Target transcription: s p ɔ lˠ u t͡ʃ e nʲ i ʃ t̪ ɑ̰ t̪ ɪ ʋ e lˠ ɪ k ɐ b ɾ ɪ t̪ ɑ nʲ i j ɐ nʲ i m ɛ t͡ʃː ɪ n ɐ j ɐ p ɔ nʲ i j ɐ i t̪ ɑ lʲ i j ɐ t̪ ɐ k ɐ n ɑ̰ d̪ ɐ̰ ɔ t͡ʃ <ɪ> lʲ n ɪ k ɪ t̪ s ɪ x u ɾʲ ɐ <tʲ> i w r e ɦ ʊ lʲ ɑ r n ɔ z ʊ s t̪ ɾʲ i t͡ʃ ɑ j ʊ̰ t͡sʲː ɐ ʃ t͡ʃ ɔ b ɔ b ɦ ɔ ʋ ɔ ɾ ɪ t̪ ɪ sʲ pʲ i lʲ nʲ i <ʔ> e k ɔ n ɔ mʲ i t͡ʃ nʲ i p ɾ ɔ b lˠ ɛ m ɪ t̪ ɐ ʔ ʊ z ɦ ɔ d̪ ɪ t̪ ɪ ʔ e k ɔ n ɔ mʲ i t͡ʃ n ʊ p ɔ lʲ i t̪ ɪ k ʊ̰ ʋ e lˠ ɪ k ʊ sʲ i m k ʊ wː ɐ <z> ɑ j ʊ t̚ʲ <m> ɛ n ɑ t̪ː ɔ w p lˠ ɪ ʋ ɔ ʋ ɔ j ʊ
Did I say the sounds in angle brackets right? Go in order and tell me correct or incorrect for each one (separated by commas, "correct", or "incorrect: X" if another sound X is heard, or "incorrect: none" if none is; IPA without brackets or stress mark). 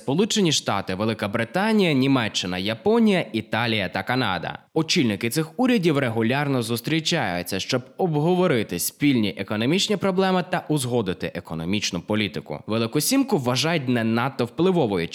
incorrect: i, incorrect: dʲ, correct, incorrect: ʒ, incorrect: n